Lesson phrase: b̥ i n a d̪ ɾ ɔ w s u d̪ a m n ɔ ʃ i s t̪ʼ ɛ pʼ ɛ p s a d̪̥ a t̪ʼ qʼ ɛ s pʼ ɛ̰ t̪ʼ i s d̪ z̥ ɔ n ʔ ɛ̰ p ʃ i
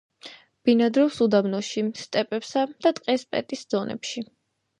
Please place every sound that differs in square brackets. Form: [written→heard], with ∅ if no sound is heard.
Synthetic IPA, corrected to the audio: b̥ i n a d̪ ɾ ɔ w s u d̪ a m n ɔ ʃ i s t̪ʼ ɛ pʼ ɛ p s a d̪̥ a t̪ʼ qʼ ɛ s pʼ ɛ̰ t̪ʼ i s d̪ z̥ ɔ n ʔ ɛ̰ p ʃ i